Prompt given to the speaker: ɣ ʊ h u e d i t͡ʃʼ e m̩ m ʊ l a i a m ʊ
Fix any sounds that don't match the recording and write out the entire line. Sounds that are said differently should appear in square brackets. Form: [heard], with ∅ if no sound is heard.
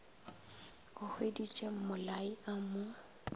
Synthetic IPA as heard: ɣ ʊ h [w] e d i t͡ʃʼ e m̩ m ʊ l a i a m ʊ